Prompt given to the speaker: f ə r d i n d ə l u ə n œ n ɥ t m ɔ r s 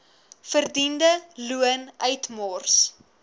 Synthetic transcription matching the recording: f ə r d i n d ə l u ə n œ ɥ t m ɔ r s